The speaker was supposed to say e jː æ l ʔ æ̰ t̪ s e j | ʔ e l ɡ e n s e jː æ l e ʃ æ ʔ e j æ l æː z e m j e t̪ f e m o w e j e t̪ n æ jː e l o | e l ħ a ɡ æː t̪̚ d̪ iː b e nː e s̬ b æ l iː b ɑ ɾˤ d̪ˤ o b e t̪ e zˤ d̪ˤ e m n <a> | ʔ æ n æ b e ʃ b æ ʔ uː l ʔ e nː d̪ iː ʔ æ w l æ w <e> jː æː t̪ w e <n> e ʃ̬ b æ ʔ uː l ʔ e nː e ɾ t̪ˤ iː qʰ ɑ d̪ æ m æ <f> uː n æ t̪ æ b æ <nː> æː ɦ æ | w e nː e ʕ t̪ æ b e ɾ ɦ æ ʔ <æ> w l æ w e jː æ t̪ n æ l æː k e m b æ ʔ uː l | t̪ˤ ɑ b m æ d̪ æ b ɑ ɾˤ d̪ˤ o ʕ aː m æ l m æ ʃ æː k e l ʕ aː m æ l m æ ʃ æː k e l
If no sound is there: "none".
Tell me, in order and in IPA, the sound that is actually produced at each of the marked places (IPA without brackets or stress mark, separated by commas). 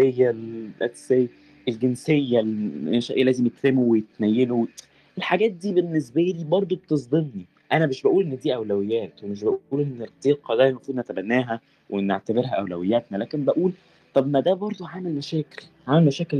i, e, m, f, nː, æ